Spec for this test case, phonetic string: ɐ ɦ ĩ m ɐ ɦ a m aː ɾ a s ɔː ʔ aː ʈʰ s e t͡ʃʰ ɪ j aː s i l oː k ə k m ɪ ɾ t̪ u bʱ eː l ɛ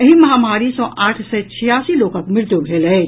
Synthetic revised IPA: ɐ ɦ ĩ m ɐ ɦ a m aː ɾ i s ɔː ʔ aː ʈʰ s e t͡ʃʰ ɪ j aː s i l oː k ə k m ɪ ɾ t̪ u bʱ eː l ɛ